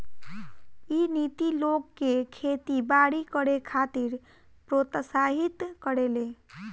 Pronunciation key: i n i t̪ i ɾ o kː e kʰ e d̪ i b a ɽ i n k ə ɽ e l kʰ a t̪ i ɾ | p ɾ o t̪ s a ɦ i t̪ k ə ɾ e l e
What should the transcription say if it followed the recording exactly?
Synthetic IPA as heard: i n i t̪ i l o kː e kʰ e t̪ i b a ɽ i k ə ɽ e kʰ a t̪ i ɾ | p ɾ o t̪ s a ɦ i t̪ k ə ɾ e l e